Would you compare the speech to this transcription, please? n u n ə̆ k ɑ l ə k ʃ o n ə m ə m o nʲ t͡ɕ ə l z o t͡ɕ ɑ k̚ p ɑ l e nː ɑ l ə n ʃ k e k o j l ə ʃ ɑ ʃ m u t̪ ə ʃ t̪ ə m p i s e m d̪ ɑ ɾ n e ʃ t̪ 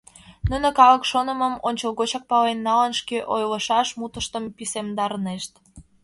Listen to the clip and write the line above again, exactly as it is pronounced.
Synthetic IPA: n u n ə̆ k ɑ l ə k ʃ o n ə m ə m o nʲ t͡ɕ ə l ɣ o t͡ɕ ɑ k̚ p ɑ l e nː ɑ l ə n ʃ k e ʔ o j l ə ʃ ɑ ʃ m u t̪ ə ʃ t̪ ə m p i s e m d̪ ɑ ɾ n e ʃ t̪